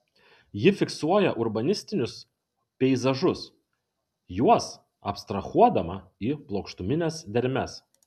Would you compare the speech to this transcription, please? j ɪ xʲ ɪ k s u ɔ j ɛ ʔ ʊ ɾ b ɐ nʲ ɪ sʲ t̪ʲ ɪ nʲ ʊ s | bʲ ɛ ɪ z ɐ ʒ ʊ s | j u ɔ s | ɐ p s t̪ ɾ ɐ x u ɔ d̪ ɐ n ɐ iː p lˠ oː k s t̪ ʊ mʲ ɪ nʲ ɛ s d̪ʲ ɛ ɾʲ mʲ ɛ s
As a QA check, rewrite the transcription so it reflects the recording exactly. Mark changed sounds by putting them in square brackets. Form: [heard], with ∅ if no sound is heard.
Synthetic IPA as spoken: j ɪ [fʲ] ɪ k s u ɔ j ɛ ʔ ʊ ɾ b ɐ nʲ ɪ sʲ t̪ʲ ɪ nʲ ʊ s | [pʲ] ɛ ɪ z ɐ ʒ ʊ s | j u ɔ s | ɐ p s t̪ ɾ ɐ x u ɔ d̪ ɐ [m] ɐ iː p lˠ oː k [ʃ] t̪ ʊ mʲ ɪ nʲ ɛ s d̪ʲ ɛ ɾʲ mʲ ɛ s